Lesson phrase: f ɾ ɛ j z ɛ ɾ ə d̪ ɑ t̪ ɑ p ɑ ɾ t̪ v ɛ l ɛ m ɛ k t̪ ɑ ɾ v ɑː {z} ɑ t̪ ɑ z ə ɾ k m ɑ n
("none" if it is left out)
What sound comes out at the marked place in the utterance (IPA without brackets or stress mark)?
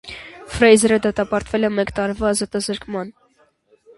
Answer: z